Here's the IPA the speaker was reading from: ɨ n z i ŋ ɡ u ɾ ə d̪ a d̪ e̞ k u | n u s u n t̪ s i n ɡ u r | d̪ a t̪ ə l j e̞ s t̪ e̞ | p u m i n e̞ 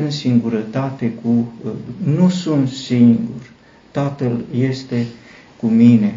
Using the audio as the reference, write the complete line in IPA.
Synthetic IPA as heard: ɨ n s i ŋ ɡ u ɾ ə t̪ a t̪ e̞ k u | n u s u n t̪ s i ŋ ɡ u r | t̪ a t̪ ə l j e̞ s t̪ e̞ | k u m i n e̞